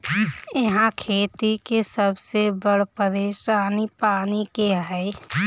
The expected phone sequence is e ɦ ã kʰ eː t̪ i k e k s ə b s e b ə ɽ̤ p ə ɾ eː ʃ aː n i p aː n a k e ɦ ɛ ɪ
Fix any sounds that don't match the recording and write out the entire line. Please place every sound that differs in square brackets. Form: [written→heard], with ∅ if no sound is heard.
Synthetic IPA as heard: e ɦ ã kʰ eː t̪ i k e [k→∅] s ə b s e b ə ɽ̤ p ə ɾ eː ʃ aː n i p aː n [a→i] k e ɦ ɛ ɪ